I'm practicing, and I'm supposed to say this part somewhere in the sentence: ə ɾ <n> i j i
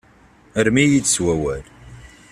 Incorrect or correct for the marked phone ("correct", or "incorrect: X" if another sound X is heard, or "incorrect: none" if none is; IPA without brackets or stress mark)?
incorrect: m